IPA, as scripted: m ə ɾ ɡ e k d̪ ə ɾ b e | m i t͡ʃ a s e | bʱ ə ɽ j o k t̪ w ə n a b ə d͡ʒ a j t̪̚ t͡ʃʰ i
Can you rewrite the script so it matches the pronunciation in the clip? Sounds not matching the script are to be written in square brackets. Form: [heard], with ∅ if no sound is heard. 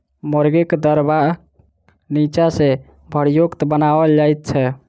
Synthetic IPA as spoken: m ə ɾ ɡ e k d̪ ə ɾ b [a] | [n] i t͡ʃ a s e | bʱ ə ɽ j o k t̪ [b] ə n a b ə d͡ʒ a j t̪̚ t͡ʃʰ [ɛ]